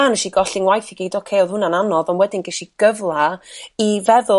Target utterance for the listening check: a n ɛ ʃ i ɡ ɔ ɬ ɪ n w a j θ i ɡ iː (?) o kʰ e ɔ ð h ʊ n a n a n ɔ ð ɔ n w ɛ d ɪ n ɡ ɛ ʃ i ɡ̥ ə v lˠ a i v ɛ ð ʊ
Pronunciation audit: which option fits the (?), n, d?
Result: d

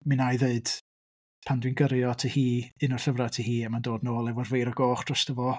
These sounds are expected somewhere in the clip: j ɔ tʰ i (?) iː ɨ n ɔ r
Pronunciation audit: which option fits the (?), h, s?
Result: h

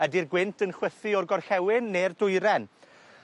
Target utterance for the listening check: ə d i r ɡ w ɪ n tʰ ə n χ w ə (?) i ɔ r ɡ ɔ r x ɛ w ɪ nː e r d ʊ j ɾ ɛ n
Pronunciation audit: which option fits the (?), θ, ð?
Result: θ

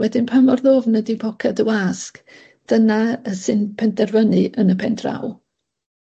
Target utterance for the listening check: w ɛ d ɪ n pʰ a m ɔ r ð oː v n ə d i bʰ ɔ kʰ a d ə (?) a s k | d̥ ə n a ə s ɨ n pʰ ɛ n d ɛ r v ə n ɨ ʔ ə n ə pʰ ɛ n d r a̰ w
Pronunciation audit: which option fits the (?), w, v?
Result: w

